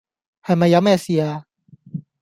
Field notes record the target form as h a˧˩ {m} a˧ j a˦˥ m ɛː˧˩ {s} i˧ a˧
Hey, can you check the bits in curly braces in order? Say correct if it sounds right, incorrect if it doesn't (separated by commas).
correct, correct